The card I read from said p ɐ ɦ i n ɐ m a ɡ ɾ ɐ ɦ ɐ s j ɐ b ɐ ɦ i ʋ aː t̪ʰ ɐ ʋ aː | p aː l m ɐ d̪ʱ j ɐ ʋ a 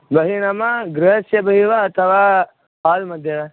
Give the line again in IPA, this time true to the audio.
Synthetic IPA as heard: b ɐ ɦ i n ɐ m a ɡ ɾ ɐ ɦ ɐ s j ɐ b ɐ ɦ i ʋ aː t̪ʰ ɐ ʋ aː | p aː l m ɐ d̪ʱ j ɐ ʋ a